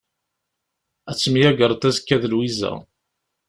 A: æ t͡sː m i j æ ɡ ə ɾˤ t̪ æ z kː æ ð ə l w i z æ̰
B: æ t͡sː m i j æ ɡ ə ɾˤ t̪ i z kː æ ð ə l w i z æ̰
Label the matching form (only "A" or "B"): A